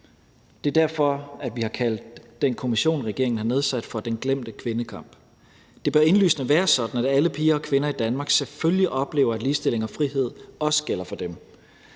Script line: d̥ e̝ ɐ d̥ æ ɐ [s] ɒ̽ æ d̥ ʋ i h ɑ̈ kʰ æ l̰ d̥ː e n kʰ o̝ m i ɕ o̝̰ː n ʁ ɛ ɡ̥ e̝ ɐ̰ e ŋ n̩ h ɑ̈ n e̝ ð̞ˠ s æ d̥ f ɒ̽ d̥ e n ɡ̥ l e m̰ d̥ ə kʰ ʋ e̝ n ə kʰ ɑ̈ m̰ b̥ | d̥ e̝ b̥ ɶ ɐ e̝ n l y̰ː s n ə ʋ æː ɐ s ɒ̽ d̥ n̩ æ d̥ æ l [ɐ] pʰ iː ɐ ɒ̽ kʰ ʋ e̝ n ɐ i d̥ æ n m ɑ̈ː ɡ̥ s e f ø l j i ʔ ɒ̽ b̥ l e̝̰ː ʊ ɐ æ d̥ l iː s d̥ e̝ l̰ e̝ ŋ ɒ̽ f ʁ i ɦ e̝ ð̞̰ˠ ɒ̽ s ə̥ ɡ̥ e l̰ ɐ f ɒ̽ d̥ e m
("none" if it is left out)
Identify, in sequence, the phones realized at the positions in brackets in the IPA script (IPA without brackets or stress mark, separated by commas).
f, ə